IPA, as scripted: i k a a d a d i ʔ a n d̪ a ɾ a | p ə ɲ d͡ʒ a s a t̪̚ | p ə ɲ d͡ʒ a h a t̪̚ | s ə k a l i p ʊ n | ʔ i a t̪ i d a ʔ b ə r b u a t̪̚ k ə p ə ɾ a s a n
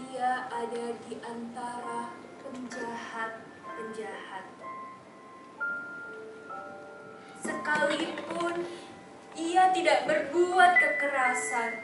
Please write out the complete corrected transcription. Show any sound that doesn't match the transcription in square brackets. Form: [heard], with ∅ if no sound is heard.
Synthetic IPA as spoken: i [∅] a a d a d i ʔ a n [t̪] a ɾ a | p ə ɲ d͡ʒ a [h] a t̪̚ | p ə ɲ d͡ʒ a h a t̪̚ | s ə k a l i p ʊ n | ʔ i a t̪ i d a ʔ b ə r b u a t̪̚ k ə [k] ə ɾ a s a n